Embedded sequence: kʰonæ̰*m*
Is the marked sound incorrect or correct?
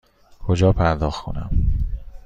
correct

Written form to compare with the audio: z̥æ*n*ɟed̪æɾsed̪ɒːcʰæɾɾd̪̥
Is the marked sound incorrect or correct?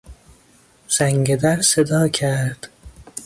incorrect: ŋ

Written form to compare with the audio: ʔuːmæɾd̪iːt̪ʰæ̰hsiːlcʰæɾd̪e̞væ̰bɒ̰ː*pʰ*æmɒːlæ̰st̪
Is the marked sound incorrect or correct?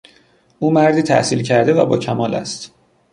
incorrect: cʰ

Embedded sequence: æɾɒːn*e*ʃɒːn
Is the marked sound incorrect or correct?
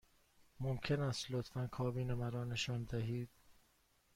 correct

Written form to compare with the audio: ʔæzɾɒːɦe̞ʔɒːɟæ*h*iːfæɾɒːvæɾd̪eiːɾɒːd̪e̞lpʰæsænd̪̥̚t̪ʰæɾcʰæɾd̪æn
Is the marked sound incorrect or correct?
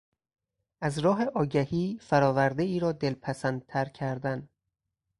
correct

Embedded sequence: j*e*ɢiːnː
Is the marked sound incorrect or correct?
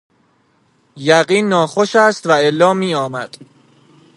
incorrect: æ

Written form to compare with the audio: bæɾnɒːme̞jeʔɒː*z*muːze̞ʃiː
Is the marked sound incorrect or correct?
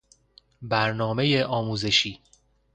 incorrect: none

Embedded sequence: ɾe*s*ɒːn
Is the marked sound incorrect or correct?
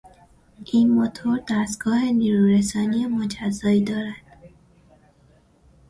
correct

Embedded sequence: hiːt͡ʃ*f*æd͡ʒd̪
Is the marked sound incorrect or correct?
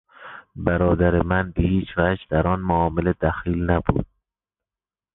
incorrect: v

